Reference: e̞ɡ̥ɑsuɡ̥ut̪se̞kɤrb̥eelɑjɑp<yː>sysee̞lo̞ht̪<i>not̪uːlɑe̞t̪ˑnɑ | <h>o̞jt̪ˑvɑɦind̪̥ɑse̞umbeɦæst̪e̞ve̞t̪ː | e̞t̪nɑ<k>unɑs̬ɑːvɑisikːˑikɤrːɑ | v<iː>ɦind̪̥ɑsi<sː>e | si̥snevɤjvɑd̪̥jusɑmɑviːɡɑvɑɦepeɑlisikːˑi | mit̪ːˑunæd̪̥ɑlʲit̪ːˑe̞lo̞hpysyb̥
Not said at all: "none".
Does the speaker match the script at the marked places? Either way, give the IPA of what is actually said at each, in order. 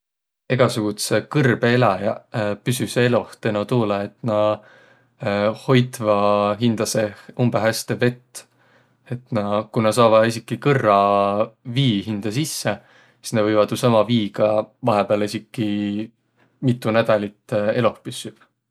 y, e, h, k, iː, sː

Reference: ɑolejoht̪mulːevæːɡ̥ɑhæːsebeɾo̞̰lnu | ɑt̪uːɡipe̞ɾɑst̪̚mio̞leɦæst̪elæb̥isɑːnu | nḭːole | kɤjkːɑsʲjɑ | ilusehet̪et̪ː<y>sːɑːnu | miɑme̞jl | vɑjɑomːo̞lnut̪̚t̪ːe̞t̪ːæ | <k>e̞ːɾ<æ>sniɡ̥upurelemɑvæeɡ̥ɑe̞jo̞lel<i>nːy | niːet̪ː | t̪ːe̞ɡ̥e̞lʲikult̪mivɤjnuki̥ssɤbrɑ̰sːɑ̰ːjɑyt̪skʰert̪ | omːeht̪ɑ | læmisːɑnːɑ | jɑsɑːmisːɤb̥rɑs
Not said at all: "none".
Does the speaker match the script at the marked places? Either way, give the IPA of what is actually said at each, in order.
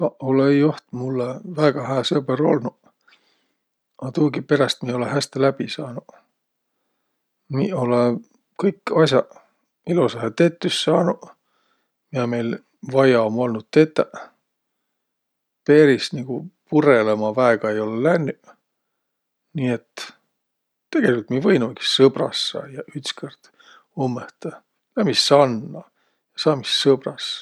y, p, i, æ

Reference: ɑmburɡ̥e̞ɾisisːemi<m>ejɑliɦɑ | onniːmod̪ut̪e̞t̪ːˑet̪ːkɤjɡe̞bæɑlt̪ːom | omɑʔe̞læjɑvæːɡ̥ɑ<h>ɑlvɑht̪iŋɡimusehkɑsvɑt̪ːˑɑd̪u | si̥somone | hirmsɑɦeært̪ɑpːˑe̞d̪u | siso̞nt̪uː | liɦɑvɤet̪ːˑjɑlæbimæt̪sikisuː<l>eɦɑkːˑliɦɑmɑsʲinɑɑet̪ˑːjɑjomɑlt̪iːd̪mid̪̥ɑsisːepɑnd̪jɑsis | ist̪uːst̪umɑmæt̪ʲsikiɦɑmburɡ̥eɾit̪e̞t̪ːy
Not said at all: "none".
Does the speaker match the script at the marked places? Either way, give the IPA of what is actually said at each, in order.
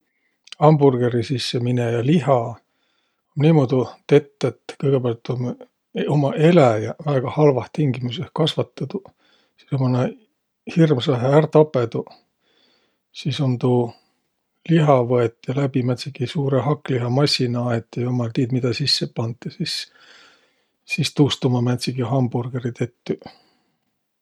n, h, ɾ

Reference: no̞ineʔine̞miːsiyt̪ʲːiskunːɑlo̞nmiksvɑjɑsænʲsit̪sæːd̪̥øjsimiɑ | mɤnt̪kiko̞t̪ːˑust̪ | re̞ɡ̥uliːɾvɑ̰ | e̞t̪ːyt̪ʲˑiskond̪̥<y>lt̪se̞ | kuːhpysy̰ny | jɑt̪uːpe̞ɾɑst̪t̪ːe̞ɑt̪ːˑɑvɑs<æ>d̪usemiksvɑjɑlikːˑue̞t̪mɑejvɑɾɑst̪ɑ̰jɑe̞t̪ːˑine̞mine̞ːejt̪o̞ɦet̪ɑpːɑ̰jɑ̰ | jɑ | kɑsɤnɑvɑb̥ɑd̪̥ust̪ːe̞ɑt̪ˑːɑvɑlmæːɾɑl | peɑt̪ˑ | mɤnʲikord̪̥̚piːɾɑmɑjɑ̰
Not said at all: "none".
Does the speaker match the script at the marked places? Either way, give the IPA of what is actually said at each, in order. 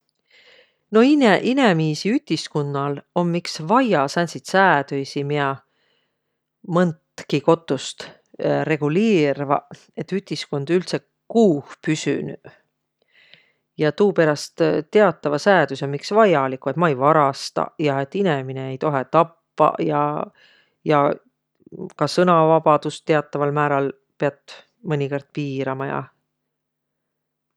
y, æː

